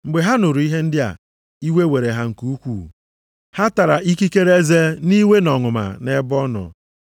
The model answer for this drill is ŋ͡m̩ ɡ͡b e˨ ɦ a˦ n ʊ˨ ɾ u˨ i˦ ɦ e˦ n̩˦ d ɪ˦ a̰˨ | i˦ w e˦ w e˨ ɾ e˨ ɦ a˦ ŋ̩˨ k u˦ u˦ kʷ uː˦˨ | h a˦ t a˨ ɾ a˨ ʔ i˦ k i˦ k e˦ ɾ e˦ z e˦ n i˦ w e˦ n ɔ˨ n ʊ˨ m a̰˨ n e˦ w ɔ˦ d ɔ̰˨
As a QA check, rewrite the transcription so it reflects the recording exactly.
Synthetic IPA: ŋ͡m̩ ɡ͡b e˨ ɦ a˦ n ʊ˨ ɾ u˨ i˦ ɦ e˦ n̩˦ d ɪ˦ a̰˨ | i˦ w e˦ w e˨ ɾ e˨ ɦ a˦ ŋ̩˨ k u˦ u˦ kʷ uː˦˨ | h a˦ t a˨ ɾ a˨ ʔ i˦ k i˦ k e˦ ɾ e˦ z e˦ n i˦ w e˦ n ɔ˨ ŋ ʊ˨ m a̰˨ n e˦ b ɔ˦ n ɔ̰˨